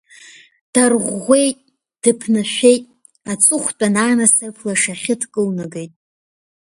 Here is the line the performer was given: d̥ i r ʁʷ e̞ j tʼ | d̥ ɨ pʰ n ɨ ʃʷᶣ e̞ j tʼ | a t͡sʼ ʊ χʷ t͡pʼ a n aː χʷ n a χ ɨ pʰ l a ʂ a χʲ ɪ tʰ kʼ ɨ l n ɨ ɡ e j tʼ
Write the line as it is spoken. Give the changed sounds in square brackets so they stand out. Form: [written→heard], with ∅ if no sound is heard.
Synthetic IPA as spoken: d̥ [i→a] r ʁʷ e̞ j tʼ | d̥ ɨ pʰ n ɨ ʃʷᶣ e̞ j tʼ | a t͡sʼ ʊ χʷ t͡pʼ a n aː [χʷ→∅] n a [χ→s] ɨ pʰ l a ʂ a χʲ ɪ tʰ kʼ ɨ l n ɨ ɡ e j tʼ